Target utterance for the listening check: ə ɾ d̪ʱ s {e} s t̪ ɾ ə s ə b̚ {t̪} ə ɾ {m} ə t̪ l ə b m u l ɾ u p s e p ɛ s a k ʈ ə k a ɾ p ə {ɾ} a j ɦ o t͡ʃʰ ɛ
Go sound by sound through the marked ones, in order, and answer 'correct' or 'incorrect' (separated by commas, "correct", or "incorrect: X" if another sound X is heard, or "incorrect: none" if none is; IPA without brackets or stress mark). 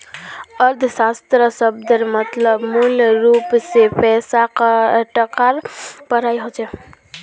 incorrect: a, incorrect: d̪, correct, correct